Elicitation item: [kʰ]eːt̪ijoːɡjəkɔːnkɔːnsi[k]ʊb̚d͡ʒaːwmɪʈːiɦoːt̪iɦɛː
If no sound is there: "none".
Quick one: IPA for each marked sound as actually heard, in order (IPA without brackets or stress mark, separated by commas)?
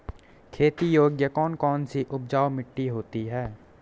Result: kʰ, ʔ